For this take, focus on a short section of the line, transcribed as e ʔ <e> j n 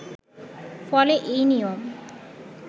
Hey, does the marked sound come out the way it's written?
yes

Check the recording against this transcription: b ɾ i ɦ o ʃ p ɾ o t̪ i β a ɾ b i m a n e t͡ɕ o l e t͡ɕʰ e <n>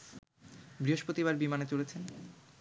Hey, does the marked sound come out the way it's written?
yes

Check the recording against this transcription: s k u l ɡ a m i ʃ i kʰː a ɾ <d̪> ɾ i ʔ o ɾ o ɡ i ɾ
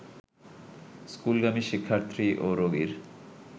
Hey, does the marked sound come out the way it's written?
no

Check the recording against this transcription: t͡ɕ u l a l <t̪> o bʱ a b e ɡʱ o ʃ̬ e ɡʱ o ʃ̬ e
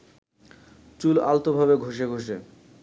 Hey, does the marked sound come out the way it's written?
yes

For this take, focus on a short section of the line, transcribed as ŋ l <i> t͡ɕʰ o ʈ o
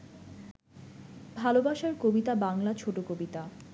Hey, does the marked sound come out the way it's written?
no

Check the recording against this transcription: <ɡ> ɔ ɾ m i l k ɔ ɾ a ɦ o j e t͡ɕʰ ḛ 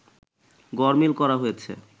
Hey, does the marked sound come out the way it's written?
yes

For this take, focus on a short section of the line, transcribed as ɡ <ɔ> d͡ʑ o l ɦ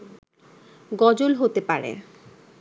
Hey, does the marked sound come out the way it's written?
yes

